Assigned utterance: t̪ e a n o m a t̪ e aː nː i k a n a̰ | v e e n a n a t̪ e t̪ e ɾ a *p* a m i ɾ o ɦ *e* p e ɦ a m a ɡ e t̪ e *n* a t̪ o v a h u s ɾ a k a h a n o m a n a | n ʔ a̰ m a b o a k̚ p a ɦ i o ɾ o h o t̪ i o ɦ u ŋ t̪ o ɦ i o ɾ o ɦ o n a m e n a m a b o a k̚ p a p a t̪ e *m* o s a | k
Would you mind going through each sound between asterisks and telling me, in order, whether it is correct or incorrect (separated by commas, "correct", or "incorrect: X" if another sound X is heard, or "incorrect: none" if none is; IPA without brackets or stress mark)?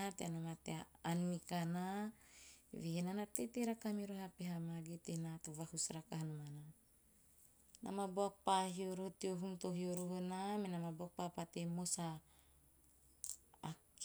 incorrect: k, incorrect: a, correct, correct